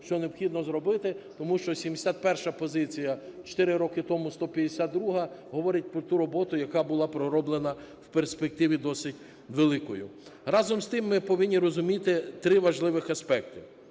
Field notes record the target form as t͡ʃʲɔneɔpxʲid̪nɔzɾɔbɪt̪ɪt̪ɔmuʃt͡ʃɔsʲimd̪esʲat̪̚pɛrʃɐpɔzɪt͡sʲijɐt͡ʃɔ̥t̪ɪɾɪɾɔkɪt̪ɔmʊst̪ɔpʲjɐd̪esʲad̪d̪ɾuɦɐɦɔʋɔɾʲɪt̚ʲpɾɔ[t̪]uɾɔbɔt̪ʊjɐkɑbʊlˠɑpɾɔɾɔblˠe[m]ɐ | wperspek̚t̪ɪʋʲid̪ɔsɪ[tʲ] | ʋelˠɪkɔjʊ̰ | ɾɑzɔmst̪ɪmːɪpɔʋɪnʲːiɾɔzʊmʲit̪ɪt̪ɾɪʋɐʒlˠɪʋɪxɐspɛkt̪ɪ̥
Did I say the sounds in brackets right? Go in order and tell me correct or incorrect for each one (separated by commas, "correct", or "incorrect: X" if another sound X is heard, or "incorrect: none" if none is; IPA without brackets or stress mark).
correct, incorrect: n, correct